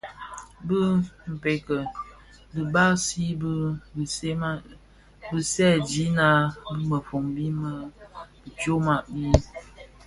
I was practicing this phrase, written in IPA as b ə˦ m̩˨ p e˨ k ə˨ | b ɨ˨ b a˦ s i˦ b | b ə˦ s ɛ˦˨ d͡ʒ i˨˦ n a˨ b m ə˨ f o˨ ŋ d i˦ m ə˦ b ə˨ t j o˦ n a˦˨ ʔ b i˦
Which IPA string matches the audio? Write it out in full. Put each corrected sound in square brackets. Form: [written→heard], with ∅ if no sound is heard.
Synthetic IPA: b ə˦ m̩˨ p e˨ k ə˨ | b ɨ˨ b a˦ s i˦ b | b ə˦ s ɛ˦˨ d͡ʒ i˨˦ n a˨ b m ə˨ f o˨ ŋ [d→b] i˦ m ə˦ b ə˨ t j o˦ [n→m] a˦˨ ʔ b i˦